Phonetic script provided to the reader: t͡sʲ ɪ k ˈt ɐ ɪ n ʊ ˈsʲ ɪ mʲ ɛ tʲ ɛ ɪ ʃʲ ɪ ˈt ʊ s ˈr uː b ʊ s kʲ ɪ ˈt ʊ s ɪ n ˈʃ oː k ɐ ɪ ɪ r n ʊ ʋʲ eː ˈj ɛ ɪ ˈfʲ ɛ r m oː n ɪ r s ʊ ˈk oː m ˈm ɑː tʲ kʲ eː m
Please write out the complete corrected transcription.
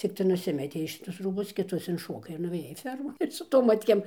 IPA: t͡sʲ ɪ k ˈt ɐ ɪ n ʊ ˈsʲ ɪ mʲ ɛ tʲ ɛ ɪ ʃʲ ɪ ˈt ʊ s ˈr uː b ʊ s kʲ ɪ ˈt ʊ s ɪ n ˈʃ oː k ɐ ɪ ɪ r n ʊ ʋʲ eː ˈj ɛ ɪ ˈfʲ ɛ r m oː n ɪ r s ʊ ˈt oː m ˈm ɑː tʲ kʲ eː m